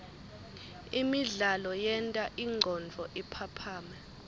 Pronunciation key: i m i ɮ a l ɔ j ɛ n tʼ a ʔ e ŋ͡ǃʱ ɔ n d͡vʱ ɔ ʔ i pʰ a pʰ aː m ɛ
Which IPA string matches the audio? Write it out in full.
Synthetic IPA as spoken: i m i ɮ a l ɔ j ɛ n tʼ a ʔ i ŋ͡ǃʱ ɔ n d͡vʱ ɔ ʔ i pʰ a pʰ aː m ɛ